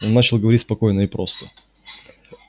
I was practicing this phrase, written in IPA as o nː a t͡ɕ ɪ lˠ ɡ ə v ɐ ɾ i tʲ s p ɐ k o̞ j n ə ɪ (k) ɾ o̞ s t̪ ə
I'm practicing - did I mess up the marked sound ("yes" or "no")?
yes